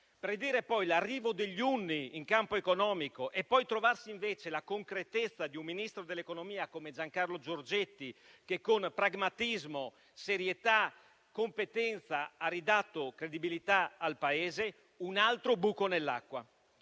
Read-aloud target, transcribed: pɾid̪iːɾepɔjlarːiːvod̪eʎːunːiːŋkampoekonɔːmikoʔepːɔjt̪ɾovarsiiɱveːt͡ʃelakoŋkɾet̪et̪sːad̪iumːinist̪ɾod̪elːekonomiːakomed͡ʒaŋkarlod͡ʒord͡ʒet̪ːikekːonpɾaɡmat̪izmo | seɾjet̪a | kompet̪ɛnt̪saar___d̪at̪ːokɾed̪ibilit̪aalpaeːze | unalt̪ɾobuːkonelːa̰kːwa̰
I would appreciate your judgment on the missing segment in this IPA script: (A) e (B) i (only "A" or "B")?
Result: B